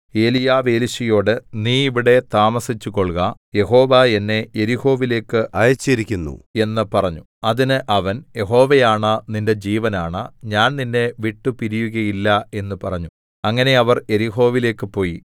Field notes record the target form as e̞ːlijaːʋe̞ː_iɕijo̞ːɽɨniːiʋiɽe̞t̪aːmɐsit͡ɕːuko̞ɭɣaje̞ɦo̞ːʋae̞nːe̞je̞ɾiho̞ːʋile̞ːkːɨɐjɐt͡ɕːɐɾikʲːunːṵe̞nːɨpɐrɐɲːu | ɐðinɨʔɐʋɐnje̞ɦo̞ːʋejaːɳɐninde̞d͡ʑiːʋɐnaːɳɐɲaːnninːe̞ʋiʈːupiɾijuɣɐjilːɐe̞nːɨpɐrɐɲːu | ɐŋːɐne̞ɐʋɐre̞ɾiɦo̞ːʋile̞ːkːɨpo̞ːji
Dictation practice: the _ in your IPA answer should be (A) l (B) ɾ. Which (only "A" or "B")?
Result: A